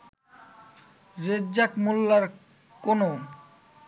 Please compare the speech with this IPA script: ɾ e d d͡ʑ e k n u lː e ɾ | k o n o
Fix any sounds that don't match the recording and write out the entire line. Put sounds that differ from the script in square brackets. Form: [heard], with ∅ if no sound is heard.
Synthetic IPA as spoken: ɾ e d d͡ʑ [a] k [m] u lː [a] ɾ | k o n o